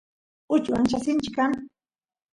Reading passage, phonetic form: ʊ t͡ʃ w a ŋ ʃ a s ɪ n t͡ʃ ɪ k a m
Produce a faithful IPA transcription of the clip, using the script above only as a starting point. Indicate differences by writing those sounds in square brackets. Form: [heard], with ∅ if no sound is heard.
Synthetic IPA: ʊ t͡ʃ w a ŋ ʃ a s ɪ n t͡ʃ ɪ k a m